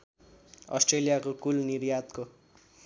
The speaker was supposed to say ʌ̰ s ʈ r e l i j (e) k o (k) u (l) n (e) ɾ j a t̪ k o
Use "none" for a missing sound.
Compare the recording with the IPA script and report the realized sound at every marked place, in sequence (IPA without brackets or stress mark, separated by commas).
a, k, l, i